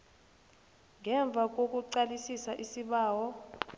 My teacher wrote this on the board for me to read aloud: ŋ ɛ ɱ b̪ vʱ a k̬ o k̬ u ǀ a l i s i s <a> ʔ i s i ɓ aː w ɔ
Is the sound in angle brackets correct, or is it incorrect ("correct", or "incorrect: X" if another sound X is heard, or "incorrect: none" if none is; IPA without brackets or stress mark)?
correct